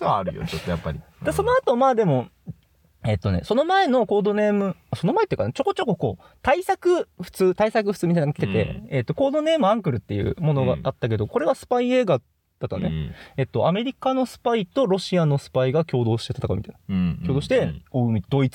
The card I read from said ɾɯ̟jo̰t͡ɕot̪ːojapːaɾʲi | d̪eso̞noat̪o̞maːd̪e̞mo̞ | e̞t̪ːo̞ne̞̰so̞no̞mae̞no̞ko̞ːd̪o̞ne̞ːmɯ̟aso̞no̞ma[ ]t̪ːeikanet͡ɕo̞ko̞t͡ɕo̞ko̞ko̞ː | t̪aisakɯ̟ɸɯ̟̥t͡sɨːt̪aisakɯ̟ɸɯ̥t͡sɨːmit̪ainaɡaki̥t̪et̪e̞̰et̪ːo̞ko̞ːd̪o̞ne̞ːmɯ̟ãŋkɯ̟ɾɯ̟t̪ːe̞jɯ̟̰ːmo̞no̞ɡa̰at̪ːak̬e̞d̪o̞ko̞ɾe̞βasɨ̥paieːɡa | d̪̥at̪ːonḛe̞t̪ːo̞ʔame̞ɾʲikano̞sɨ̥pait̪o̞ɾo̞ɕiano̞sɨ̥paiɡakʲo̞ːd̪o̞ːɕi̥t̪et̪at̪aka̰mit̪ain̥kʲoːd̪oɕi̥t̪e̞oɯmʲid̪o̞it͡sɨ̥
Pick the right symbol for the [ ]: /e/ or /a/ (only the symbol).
e